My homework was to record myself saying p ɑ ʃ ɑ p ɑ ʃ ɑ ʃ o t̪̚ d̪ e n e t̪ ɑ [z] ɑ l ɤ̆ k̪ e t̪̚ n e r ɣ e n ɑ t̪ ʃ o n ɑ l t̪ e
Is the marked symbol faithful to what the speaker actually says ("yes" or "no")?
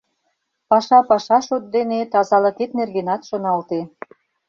yes